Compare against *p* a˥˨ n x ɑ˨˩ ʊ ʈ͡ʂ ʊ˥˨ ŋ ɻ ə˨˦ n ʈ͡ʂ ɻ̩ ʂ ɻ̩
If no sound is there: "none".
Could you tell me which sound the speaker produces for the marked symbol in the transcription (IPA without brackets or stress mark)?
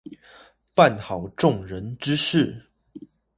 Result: p